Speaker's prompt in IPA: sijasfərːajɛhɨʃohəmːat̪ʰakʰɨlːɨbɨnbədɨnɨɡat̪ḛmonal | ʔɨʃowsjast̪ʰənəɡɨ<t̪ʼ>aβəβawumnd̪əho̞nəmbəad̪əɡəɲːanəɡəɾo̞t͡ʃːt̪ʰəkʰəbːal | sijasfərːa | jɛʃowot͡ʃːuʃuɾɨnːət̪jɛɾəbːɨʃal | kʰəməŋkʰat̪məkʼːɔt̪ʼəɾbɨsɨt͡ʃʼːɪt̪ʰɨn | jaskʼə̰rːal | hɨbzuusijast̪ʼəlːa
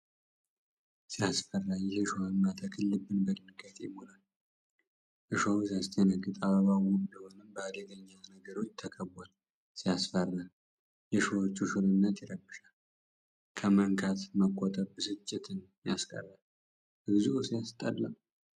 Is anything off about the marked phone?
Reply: no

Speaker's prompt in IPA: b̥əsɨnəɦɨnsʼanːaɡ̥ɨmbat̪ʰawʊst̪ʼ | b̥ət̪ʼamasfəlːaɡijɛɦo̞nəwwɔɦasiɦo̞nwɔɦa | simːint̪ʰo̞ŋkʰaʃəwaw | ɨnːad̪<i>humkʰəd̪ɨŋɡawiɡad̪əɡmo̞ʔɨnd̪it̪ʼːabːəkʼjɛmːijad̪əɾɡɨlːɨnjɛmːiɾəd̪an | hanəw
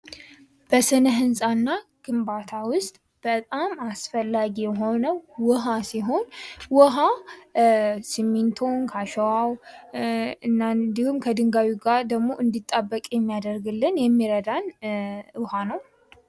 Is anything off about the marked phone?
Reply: no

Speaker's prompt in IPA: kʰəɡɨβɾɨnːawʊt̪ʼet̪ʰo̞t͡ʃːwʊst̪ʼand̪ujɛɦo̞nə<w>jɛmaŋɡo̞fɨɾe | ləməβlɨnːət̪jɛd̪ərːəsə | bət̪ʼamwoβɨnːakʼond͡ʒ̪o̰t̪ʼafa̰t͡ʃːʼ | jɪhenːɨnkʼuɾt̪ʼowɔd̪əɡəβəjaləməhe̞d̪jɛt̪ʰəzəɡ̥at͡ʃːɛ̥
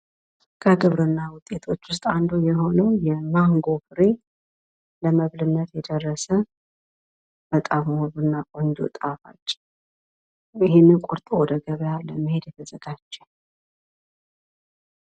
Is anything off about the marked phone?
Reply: no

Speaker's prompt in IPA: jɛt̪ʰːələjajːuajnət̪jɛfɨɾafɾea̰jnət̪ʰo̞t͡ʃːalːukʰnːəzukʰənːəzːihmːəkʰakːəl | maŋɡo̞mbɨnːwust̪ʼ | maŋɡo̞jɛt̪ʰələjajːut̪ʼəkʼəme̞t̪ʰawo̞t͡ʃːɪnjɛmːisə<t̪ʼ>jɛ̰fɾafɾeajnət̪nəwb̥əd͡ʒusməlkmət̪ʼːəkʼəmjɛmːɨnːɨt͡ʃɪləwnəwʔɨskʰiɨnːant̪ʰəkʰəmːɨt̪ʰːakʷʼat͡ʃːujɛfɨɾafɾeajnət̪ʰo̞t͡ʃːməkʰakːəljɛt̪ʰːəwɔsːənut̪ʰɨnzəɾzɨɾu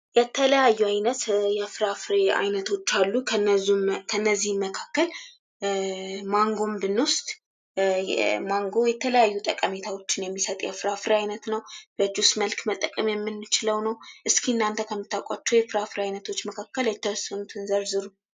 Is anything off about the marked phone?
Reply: no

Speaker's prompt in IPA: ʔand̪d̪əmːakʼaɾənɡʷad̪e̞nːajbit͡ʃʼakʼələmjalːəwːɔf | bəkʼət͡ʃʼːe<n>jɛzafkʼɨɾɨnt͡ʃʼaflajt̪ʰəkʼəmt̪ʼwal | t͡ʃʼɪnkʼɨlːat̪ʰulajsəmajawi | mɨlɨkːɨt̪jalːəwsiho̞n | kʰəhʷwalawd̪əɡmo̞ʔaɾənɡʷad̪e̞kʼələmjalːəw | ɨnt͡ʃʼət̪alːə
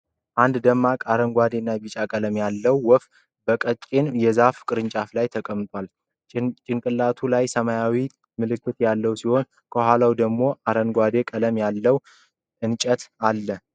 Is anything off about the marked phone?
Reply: no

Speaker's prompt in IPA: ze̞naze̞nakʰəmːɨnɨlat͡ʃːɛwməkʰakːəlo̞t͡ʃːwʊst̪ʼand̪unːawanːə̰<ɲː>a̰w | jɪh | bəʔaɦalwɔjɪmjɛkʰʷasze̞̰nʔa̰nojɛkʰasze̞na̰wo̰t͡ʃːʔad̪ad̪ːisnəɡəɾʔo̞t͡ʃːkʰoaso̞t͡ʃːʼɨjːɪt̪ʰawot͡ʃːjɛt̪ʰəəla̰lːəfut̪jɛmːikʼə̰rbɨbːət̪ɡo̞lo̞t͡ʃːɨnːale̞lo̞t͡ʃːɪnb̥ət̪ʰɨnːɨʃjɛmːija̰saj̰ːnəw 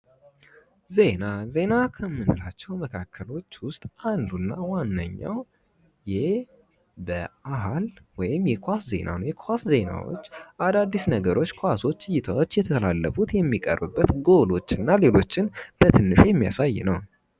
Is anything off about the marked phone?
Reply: no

